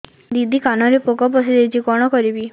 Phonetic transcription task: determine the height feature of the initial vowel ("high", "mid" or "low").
high